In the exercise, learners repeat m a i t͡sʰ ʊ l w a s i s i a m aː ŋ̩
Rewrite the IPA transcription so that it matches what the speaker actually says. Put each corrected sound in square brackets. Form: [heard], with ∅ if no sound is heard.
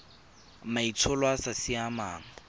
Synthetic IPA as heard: m a i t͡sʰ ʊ l w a s [a] s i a m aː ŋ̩